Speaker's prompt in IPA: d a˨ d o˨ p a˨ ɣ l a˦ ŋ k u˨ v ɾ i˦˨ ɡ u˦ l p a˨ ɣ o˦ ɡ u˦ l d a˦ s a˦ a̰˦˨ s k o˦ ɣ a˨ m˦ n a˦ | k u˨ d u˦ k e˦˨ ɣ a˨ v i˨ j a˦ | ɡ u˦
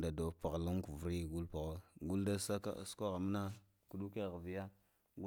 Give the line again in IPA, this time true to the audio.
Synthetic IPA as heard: d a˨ d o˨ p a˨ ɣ l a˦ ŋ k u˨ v ɾ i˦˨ ɡ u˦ l p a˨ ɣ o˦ ɡ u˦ l d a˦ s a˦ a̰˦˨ s k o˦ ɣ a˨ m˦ n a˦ | k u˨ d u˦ k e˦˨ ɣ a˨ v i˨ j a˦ | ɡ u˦